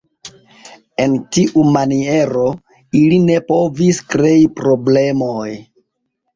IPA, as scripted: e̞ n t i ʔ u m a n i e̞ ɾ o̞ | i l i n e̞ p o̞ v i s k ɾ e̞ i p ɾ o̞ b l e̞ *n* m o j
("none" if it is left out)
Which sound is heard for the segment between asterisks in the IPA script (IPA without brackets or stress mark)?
none